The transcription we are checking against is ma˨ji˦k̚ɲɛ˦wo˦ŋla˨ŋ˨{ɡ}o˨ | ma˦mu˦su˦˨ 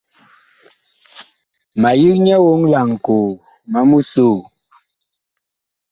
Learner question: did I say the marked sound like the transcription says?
no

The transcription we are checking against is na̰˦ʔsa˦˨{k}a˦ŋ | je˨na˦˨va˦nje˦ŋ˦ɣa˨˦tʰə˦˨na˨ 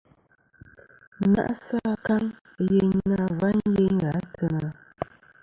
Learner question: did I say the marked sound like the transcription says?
yes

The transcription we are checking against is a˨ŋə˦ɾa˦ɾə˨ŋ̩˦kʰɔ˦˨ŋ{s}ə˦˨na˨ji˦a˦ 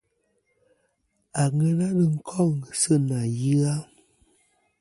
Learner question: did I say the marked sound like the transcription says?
yes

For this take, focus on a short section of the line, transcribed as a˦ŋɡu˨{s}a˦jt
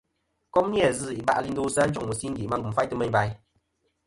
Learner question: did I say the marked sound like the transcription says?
no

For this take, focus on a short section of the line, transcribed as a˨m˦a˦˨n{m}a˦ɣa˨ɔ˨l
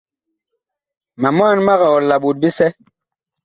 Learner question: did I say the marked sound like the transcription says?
yes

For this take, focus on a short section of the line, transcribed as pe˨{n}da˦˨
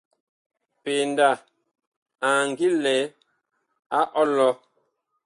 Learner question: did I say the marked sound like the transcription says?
yes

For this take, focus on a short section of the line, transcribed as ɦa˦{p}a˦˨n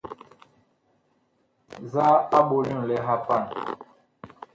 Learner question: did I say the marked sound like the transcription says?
yes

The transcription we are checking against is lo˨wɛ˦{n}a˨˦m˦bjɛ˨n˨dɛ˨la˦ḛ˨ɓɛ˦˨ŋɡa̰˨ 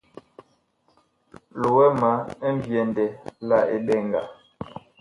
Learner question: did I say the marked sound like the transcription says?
no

